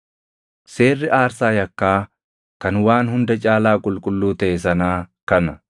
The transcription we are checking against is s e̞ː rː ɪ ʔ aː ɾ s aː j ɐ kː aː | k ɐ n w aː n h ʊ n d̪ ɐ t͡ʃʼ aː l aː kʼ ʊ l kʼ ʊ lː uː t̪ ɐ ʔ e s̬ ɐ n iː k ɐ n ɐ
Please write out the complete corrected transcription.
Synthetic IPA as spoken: s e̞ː rː ɪ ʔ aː ɾ s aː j ɐ kː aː | k ɐ n w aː n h ʊ n d̪ ɐ t͡ʃʼ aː l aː kʼ ʊ l kʼ ʊ lː uː t̪ ɐ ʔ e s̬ ɐ n aː k ɐ n ɐ